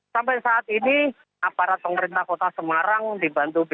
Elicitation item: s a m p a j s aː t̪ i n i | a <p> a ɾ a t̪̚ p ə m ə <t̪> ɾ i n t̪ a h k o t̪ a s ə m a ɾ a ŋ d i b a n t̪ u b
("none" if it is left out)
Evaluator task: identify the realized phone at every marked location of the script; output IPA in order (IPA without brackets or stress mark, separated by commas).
p, none